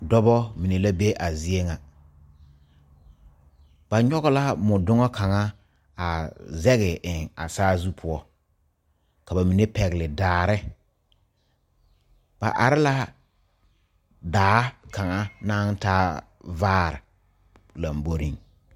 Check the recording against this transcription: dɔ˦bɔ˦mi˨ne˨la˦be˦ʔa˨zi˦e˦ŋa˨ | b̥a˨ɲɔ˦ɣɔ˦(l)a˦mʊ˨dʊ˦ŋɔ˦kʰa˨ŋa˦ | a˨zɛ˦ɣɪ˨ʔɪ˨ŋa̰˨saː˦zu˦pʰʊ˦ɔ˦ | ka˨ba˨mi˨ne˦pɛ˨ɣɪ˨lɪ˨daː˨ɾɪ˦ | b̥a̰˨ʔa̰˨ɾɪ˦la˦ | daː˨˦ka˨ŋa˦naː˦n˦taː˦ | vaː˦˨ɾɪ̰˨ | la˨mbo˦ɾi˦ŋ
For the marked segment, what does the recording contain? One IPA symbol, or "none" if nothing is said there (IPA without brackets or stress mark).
l